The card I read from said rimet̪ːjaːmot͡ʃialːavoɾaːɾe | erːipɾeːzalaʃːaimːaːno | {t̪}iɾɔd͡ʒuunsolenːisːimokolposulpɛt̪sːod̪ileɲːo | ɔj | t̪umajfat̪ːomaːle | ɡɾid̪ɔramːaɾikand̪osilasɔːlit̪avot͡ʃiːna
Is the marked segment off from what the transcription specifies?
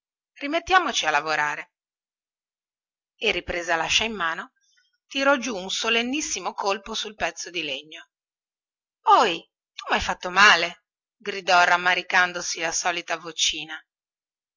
no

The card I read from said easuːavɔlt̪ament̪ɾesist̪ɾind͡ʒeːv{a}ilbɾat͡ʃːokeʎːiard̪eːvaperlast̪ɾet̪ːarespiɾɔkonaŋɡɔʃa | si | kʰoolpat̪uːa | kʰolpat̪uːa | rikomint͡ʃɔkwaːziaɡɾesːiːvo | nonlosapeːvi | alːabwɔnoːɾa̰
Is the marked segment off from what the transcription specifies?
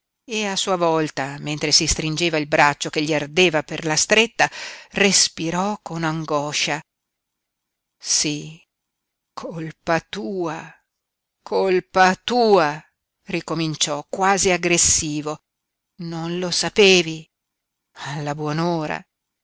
no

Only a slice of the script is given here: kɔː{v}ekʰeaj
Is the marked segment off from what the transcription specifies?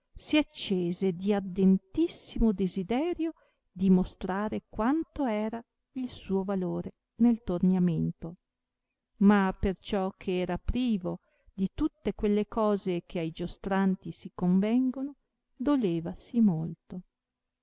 yes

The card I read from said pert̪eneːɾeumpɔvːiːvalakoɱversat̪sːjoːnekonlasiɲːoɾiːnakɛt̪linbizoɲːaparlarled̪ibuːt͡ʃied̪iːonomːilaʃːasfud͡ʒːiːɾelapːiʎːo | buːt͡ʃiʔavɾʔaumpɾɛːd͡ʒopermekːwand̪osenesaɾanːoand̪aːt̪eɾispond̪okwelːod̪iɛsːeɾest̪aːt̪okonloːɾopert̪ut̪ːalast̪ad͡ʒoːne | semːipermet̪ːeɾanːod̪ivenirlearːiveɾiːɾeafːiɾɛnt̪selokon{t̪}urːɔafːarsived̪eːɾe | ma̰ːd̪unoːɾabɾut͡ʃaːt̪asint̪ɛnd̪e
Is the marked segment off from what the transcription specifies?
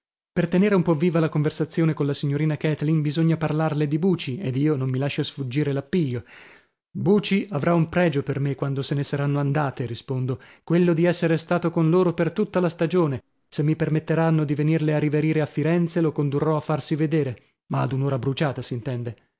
yes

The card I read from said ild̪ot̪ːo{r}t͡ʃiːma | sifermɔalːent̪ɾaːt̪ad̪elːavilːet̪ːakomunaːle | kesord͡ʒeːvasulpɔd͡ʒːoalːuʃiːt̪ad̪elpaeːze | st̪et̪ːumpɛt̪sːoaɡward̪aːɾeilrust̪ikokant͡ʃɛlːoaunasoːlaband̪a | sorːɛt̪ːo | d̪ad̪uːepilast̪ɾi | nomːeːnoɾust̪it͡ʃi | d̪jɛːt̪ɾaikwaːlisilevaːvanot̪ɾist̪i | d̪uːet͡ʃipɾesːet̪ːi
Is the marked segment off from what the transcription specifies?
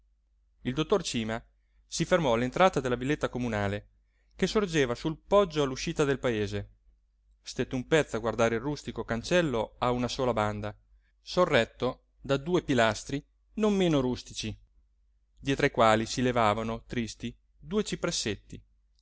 no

